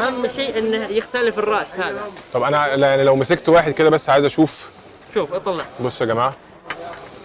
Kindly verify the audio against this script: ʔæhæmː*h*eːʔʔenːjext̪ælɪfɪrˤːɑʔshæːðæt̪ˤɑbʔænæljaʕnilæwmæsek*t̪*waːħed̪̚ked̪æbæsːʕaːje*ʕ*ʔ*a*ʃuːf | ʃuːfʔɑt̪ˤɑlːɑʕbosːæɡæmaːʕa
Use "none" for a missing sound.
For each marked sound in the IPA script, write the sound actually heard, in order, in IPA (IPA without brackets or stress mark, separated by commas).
ʃ, t̪, z, æ